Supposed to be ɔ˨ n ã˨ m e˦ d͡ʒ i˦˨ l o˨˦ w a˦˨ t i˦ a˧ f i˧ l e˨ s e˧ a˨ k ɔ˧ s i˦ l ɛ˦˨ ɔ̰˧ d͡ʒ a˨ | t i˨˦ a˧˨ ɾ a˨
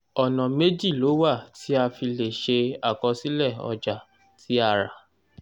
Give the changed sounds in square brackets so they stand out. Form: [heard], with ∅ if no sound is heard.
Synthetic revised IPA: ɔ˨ n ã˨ m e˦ d͡ʒ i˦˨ l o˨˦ w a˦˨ t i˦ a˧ f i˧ l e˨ [ʃ] e˧ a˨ k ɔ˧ s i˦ l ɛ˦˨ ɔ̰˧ d͡ʒ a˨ | t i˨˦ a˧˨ ɾ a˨